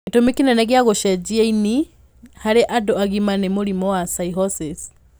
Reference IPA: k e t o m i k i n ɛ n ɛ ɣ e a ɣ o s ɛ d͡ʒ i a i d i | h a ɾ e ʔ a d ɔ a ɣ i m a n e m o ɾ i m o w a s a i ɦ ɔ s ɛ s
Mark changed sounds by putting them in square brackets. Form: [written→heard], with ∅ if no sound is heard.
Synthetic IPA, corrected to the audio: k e t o m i k i n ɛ n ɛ ɣ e a ɣ o [s→ʃ] ɛ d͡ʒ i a i [d→n] i | h a ɾ e ʔ a d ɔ a ɣ i m a n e m o ɾ i m [o→ɔ] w a s a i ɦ ɔ s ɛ s